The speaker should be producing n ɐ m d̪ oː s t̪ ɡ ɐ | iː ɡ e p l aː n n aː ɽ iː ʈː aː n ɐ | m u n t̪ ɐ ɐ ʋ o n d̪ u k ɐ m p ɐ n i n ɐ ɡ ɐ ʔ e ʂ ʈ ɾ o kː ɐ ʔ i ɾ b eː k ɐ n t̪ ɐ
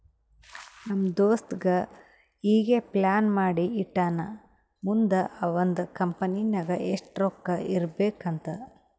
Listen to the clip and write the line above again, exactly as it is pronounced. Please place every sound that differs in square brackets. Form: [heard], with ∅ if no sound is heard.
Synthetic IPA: n ɐ m d̪ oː s t̪ ɡ ɐ | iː ɡ e p l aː n [m] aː ɽ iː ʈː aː n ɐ | m u n [d̪] ɐ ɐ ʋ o n d̪ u k ɐ m p ɐ n i n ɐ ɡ ɐ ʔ e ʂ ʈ ɾ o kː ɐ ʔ i ɾ b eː k ɐ n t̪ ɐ